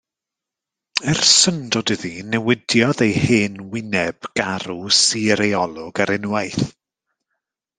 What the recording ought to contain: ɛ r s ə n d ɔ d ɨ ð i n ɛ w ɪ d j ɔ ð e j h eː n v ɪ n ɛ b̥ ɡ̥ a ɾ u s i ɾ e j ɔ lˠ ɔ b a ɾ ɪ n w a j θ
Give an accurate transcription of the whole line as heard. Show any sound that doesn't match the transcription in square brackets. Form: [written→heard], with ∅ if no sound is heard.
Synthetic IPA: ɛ r s ə n d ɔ d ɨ ð i n ɛ w ɪ d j ɔ ð e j h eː n [v→w] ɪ n ɛ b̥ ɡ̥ a ɾ u s i ɾ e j ɔ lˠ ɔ [b→ɡ] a ɾ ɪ n w a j θ